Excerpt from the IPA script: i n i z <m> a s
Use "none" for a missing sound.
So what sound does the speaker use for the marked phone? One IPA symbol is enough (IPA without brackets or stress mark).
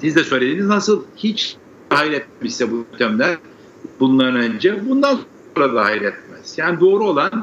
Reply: n